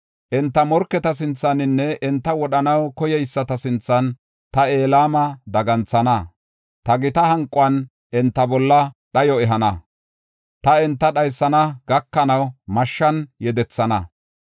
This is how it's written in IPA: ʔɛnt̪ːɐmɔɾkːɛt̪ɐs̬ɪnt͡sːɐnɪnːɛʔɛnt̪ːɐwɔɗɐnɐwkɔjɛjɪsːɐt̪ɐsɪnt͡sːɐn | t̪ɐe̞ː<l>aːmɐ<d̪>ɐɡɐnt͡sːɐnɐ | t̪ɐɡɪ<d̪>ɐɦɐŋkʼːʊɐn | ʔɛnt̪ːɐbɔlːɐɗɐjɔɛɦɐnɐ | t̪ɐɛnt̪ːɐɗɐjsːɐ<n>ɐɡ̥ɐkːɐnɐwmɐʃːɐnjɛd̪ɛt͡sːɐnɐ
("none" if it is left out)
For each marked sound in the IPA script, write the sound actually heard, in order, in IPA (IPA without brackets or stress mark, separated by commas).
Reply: l, d̪, t̪, n